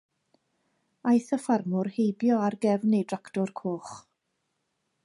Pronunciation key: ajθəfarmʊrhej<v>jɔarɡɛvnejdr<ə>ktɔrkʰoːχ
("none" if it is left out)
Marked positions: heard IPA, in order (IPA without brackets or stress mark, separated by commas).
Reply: b, a